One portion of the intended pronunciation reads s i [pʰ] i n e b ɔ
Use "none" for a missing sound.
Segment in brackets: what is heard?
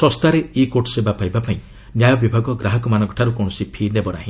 pʰ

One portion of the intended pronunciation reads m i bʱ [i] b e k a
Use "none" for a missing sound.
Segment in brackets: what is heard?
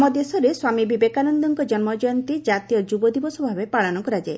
i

